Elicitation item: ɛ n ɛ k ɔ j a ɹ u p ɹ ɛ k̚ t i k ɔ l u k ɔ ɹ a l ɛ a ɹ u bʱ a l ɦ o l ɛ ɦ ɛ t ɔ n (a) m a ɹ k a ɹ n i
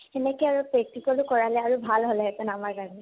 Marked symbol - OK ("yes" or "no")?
yes